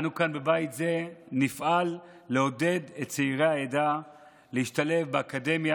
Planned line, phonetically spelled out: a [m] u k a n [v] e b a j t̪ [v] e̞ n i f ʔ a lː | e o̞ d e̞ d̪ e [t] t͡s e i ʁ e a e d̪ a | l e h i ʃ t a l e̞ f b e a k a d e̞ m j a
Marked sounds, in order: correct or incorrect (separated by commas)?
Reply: incorrect, incorrect, incorrect, correct